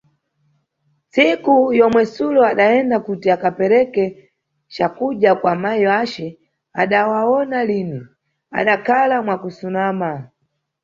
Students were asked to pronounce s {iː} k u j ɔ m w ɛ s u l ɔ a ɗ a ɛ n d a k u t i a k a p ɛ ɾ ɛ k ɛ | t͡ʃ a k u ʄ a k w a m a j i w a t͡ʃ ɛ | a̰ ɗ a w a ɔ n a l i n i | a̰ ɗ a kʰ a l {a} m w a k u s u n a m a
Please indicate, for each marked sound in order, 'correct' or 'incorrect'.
incorrect: i, correct

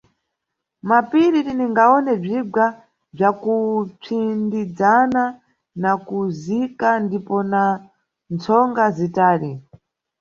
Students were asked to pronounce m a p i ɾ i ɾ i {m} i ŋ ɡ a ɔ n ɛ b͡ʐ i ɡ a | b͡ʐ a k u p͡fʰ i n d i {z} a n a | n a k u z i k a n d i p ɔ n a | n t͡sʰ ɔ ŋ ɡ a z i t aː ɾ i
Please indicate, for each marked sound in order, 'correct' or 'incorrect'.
incorrect: n, incorrect: d͡z

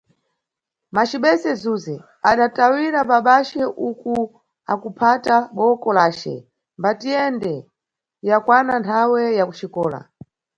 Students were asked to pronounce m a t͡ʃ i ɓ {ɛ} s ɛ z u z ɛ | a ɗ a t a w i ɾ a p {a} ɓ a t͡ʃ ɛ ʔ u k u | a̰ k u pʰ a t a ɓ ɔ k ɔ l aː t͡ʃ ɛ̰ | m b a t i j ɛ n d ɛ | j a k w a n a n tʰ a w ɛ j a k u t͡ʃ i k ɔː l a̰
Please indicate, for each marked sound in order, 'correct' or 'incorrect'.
correct, correct

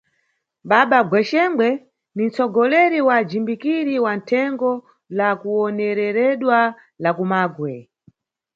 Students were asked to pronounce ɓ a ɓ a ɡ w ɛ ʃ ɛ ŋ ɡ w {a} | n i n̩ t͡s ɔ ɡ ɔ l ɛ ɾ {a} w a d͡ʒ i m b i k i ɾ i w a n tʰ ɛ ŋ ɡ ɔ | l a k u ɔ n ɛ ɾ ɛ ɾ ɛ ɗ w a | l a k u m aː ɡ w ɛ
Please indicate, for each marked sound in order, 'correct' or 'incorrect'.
incorrect: ɛ, incorrect: i

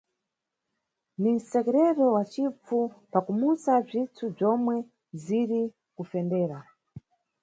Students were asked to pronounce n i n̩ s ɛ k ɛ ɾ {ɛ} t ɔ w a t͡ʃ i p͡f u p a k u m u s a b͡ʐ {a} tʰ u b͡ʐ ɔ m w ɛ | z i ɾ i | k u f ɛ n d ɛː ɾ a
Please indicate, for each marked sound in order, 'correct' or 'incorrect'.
correct, incorrect: i

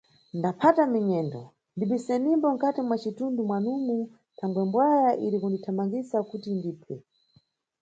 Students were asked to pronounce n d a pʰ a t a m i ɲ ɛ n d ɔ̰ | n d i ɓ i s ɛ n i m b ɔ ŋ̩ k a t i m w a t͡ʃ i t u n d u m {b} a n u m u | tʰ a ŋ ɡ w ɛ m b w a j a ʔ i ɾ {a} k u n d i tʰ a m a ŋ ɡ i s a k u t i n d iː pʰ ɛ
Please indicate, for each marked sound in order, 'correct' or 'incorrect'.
incorrect: w, incorrect: i

